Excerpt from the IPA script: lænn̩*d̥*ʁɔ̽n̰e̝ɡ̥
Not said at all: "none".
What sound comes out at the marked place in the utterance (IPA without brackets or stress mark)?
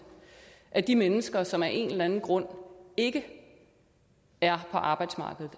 ɡ̥